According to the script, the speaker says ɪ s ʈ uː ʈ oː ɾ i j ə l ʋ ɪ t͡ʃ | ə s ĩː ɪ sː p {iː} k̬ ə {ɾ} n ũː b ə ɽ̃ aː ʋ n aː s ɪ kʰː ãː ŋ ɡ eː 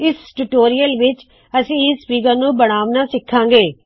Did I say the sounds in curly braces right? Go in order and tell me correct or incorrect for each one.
correct, correct

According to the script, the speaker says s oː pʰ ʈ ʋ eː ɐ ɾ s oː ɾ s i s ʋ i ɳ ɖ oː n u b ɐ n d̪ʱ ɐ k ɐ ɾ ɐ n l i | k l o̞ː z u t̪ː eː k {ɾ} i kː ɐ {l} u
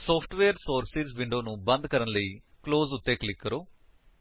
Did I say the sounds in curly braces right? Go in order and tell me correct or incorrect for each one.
incorrect, incorrect

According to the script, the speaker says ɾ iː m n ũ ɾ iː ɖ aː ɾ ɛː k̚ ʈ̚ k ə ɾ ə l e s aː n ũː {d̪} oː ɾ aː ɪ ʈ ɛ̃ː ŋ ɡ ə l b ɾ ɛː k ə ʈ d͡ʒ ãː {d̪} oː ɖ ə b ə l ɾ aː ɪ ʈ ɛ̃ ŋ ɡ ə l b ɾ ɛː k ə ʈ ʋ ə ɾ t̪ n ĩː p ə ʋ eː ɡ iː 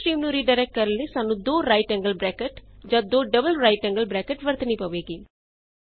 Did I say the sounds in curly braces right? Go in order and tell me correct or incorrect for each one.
correct, correct

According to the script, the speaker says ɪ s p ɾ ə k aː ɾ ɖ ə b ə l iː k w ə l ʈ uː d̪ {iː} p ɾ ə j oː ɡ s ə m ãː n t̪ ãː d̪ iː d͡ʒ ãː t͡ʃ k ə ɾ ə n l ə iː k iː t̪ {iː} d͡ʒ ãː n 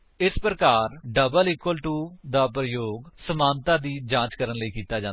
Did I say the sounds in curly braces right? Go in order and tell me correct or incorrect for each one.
incorrect, incorrect

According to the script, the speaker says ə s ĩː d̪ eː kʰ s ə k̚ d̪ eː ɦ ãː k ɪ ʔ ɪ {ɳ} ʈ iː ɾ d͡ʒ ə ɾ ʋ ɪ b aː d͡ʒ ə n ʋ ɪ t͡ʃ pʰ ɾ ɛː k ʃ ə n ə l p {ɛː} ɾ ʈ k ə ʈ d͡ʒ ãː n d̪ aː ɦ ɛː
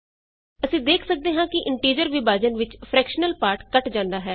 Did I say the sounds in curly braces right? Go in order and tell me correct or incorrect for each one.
correct, incorrect

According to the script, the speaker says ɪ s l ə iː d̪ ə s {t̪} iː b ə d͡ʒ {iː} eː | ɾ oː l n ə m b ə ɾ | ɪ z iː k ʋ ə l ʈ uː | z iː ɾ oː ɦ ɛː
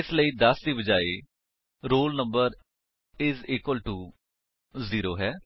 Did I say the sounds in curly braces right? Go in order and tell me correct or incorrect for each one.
incorrect, incorrect

